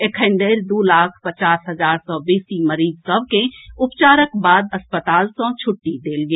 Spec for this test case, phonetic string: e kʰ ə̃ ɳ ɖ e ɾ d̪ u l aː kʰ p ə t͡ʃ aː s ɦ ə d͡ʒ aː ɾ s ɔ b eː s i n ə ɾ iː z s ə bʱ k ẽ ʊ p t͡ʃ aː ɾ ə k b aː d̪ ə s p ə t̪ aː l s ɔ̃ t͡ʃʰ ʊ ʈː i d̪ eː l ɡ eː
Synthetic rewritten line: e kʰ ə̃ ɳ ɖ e ɾ d̪ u l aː kʰ p ə t͡ʃ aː s ɦ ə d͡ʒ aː ɾ s ɔ b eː s i m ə ɾ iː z s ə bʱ k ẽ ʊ p t͡ʃ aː ɾ ə k b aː d̪ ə s p ə t̪ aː l s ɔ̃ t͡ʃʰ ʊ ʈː i d̪ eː l ɡ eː